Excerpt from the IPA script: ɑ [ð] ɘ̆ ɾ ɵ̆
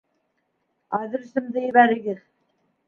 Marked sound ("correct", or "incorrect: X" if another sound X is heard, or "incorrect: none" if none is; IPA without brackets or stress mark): correct